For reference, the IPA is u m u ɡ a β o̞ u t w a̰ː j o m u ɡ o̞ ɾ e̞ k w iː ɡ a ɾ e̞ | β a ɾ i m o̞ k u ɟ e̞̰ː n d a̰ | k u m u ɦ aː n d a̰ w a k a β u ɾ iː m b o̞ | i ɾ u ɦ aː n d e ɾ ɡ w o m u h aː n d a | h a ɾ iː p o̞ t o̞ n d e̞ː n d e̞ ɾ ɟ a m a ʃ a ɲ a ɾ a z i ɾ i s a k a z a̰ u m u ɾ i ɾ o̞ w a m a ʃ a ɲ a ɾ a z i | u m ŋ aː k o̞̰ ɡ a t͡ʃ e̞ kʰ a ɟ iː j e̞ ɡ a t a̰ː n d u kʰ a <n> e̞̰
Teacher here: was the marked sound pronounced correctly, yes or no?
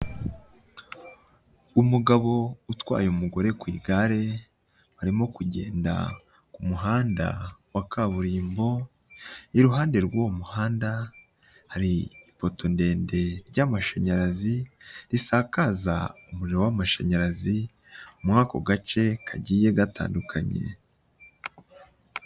no